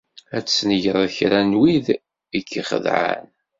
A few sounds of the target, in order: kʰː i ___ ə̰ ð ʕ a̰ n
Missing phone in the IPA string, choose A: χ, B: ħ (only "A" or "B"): A